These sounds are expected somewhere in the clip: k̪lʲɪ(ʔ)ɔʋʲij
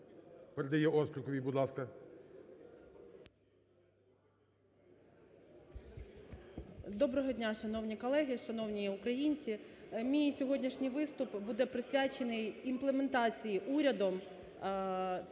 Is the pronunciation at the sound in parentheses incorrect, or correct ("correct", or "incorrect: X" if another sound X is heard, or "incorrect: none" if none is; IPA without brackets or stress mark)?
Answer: incorrect: k